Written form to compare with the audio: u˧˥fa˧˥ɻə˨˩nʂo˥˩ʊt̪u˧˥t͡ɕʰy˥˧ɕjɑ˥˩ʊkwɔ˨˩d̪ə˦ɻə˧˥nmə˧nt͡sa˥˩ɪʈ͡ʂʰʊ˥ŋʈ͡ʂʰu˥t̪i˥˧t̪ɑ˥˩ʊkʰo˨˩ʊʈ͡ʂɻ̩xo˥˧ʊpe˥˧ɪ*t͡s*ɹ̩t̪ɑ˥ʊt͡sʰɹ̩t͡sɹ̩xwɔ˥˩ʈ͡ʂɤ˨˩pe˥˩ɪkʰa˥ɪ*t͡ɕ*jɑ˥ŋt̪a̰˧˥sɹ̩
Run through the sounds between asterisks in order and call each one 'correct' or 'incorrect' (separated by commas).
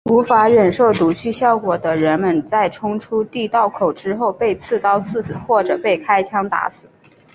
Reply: incorrect, incorrect